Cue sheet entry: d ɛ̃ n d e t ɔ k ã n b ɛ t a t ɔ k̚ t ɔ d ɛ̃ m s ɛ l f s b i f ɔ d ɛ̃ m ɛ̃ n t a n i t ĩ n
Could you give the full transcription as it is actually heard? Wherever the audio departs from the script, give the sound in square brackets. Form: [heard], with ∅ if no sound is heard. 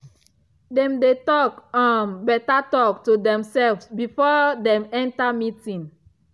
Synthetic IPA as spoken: d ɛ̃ [m] d e t ɔ k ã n b ɛ t a t ɔ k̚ t [u] d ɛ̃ m s ɛ l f s b i f ɔ d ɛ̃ m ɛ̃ n t a [m] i t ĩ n